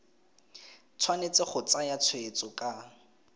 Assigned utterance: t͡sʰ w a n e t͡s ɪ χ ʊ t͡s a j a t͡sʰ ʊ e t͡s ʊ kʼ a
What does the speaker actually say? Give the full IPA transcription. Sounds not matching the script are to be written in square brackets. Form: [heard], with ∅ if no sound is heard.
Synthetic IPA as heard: t͡sʰ w a n e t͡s ɪ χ ʊ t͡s a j a t͡sʰ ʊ e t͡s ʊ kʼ a